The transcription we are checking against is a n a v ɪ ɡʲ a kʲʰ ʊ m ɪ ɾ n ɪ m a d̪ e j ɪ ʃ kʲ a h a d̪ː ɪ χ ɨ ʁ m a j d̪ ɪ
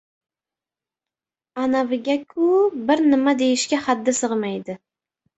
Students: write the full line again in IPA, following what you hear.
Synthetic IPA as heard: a n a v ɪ ɡʲ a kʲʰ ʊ b ɪ ɾ n ɪ m a d̪ e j ɪ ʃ kʲ a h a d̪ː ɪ s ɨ ʁ m a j d̪ ɪ